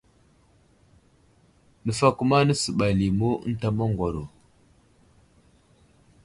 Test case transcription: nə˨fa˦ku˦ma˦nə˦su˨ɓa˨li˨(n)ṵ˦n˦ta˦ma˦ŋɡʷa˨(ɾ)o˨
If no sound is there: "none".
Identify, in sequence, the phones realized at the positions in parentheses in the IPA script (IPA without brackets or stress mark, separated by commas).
m, ɾ